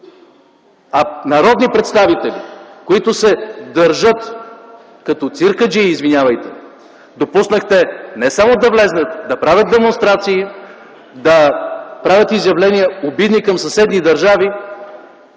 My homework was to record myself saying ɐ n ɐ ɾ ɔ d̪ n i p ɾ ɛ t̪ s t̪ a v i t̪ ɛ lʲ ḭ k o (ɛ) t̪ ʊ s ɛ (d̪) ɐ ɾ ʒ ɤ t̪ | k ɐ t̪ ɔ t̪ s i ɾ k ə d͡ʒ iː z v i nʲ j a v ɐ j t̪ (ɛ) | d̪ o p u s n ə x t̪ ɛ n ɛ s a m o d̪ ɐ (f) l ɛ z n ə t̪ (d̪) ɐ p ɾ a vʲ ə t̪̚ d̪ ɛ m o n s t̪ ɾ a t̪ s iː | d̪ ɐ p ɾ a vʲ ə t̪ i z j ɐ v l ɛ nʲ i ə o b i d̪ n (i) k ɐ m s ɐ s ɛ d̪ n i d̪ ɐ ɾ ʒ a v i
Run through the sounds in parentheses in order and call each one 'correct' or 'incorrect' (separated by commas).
incorrect, correct, correct, incorrect, correct, correct